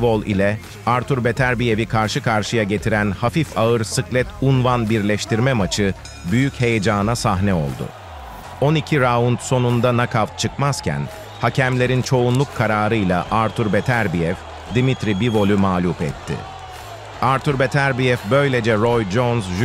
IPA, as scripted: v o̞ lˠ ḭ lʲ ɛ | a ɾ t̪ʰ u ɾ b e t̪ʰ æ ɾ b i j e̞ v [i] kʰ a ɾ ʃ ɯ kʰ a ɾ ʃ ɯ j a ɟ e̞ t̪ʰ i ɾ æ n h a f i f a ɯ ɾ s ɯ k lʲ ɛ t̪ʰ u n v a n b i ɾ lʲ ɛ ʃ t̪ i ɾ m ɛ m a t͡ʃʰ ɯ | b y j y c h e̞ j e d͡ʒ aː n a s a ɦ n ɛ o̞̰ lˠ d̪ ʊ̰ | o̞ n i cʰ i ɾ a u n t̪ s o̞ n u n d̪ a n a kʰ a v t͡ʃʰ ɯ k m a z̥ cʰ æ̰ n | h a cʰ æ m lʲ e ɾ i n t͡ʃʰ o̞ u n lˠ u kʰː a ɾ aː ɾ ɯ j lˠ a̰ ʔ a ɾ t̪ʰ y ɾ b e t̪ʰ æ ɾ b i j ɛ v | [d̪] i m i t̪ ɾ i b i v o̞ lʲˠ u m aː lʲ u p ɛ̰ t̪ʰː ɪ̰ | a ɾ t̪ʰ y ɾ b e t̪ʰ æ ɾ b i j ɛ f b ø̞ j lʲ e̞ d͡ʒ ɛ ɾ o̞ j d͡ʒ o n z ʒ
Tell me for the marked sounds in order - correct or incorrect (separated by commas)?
correct, correct